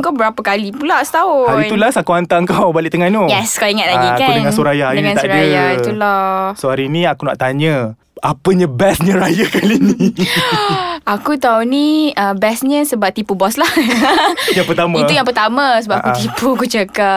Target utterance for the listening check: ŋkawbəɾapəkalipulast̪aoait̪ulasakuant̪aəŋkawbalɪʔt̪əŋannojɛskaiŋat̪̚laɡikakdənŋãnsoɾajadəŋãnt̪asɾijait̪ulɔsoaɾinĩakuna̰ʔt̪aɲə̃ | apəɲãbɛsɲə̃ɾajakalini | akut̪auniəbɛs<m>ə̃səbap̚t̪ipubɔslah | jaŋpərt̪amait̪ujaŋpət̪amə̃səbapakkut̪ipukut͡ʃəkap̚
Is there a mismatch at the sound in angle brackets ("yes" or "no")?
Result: yes